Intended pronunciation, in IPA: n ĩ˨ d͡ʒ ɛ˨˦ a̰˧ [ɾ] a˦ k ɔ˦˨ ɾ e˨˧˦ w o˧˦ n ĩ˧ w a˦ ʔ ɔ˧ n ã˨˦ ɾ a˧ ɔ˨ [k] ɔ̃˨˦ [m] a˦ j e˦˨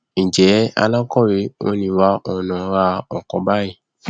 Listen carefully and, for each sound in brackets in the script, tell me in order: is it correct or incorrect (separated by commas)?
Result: incorrect, correct, incorrect